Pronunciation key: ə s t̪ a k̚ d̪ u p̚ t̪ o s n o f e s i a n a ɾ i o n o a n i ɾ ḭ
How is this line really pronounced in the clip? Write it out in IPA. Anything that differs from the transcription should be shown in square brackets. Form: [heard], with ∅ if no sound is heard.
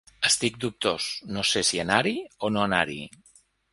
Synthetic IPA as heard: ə s t̪ [i] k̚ d̪ u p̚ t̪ o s n o [s] e s i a n a ɾ i o n o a n [a] ɾ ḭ